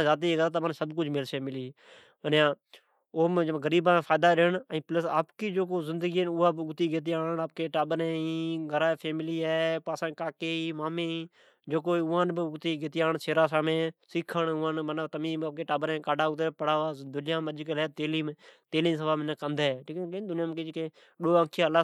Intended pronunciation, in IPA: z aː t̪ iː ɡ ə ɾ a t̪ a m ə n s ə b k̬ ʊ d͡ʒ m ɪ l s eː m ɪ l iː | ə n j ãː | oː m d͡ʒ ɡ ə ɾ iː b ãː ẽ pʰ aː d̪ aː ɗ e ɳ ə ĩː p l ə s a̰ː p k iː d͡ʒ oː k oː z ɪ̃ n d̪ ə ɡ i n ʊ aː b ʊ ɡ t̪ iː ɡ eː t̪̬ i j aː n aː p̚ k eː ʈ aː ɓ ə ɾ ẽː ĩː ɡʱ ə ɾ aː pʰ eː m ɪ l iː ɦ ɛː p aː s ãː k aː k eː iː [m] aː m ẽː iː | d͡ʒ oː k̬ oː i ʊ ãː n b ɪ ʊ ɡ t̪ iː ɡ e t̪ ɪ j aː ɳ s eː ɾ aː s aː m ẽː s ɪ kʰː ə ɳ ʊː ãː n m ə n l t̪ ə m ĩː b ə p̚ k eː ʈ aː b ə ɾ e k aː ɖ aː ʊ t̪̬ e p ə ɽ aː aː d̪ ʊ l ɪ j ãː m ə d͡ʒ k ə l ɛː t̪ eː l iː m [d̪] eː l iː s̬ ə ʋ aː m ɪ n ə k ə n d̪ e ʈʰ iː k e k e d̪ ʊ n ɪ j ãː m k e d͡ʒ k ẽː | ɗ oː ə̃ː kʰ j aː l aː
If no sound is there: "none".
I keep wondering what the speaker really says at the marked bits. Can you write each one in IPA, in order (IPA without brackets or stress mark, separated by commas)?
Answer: m, t̪